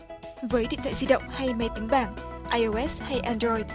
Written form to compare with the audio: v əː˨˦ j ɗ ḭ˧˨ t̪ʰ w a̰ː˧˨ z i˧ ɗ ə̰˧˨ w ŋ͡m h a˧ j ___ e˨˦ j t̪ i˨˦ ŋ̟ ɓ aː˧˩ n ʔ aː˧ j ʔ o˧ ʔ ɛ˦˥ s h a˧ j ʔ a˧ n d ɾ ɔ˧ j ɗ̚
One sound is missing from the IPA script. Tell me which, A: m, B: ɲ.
A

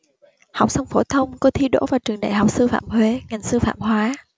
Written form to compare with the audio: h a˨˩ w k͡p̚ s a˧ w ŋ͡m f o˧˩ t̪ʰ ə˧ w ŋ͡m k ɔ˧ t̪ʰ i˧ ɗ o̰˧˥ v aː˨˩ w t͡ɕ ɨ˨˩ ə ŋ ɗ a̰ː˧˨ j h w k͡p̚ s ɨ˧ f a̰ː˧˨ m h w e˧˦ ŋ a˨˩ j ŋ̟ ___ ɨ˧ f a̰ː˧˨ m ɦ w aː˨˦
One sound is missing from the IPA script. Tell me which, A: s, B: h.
A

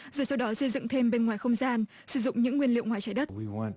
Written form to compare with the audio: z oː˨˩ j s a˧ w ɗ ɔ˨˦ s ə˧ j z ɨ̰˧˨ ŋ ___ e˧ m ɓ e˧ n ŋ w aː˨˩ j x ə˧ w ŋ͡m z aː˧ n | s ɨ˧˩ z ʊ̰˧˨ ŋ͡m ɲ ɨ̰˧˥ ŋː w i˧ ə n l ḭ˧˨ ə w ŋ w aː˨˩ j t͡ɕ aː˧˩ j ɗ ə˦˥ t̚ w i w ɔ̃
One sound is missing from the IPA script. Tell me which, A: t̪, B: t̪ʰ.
B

